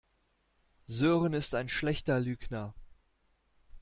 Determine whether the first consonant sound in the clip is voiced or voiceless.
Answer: voiced